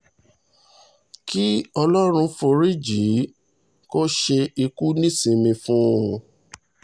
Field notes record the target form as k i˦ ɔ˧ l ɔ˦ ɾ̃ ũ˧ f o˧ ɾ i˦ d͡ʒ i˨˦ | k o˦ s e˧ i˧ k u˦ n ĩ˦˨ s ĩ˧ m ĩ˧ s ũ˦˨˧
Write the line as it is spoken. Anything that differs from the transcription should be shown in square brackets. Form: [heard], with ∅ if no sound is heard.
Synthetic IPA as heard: k i˦ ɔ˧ l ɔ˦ ɾ̃ ũ˧ f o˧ ɾ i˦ d͡ʒ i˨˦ | k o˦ [ʃ] e˧ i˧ k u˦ n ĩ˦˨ s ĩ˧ m ĩ˧ [f] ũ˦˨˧